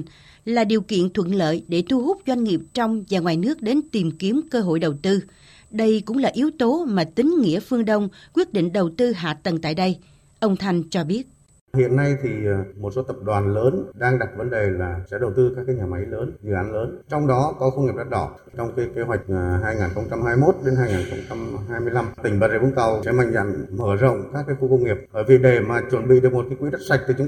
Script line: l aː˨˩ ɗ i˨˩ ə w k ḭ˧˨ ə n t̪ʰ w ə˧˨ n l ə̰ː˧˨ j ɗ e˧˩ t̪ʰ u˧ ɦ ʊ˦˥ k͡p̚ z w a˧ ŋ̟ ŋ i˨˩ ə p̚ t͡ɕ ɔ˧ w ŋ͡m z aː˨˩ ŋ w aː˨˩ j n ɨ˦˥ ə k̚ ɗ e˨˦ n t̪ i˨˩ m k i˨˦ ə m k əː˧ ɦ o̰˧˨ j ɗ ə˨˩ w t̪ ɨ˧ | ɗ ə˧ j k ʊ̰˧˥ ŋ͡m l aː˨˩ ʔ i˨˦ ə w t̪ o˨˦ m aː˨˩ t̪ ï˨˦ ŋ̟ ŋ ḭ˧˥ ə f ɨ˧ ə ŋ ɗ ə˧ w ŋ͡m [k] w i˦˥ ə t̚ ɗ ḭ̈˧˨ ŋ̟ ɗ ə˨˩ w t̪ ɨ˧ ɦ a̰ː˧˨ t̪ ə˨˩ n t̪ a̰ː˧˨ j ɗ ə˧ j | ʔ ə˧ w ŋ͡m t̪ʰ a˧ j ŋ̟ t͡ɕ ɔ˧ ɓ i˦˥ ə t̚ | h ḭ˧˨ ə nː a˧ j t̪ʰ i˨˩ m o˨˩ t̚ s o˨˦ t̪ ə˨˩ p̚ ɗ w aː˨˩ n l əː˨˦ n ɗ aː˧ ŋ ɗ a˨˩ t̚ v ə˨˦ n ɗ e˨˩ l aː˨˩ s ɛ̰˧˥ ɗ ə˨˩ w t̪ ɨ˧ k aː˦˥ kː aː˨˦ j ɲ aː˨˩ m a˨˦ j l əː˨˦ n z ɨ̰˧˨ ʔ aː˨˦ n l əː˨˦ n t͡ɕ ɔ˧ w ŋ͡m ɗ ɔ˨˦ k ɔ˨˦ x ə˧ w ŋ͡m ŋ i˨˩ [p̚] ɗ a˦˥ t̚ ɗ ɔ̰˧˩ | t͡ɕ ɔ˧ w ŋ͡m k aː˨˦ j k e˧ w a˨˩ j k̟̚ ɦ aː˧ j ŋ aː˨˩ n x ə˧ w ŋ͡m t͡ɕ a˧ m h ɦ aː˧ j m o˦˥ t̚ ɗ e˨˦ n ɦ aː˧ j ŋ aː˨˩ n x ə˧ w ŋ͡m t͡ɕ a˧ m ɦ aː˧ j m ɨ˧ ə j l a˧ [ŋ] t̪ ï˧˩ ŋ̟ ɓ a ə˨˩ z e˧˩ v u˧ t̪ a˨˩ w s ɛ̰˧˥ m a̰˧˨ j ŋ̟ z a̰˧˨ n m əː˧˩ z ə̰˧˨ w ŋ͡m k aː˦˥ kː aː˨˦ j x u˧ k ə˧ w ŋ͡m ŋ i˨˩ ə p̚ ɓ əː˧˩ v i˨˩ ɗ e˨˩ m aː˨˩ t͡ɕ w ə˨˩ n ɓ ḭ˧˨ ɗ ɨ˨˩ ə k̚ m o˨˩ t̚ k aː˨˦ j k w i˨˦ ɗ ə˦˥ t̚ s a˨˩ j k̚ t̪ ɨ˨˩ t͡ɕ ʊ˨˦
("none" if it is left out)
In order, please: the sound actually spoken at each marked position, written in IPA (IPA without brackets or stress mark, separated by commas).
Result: k, p̚, m